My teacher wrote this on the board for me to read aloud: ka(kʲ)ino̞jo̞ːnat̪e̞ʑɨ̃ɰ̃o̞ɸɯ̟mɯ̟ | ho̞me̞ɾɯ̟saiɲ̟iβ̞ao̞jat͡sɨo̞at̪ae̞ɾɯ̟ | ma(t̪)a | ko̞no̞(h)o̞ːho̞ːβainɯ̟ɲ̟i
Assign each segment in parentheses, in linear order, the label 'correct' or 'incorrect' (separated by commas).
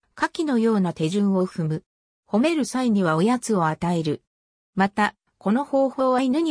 correct, correct, correct